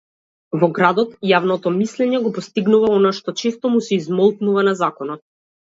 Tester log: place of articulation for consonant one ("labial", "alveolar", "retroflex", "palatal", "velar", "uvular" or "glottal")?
labial